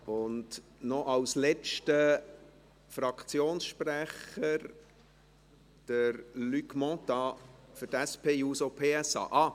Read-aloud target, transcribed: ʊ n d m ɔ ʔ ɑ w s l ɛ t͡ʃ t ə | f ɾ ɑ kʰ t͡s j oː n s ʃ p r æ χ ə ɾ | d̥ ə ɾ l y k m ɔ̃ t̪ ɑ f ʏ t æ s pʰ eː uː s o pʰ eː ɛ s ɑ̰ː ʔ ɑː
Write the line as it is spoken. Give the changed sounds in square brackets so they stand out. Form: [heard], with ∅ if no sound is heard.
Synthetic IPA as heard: ʊ n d [n] ɔ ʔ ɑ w s l ɛ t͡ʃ t ə | f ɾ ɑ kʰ t͡s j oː n s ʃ p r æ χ ə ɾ | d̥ ə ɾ l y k m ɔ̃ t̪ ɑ f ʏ t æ s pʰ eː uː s o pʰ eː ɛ s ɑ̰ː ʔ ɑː